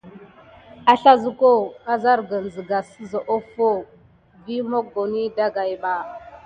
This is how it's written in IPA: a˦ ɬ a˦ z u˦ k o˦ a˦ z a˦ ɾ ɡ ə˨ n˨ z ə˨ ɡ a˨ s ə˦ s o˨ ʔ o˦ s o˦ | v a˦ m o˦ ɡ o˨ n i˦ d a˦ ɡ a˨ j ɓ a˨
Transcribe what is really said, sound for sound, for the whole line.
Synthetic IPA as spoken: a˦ ɬ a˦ z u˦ k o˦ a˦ z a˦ ɾ ɡ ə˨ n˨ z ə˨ ɡ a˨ s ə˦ z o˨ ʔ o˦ f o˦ | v i˦ m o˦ ɡ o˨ n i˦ d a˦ ɡ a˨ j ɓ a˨

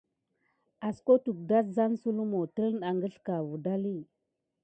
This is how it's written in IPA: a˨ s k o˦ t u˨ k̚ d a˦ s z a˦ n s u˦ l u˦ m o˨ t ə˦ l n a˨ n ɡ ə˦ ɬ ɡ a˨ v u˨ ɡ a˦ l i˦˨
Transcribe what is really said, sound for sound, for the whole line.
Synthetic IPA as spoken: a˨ s k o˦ t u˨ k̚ d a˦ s z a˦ n s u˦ l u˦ m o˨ t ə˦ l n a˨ ŋ ɡ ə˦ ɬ k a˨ v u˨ d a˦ l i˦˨

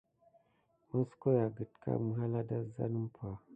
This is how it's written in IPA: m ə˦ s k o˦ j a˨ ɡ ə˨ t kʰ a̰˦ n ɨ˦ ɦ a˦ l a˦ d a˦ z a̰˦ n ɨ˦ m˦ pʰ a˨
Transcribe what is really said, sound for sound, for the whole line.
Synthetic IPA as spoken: m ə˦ s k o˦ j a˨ ɡ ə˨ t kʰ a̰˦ m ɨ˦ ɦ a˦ l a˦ d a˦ z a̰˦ n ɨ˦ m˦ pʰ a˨

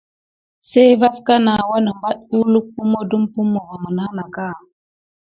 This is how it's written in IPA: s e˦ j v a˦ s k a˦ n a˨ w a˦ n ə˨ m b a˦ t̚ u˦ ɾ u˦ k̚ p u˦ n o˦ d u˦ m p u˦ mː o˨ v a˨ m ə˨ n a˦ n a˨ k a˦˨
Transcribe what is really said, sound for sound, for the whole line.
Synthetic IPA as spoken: s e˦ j v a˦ s k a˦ n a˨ w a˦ n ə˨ m b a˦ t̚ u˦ l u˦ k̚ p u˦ m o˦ d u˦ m p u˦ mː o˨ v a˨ m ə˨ n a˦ n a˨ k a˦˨

